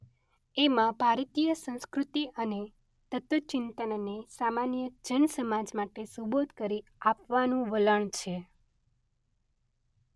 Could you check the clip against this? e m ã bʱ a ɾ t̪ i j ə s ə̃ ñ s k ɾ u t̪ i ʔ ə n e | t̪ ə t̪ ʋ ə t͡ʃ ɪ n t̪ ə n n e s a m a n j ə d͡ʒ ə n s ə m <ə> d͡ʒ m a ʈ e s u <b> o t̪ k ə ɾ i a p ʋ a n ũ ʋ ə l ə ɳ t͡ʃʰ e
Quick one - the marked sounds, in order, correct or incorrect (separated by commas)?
incorrect, correct